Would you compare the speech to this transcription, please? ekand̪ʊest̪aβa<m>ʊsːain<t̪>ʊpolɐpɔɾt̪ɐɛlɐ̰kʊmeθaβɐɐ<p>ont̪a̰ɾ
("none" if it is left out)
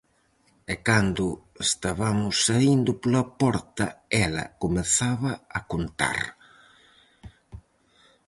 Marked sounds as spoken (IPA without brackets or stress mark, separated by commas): m, d̪, k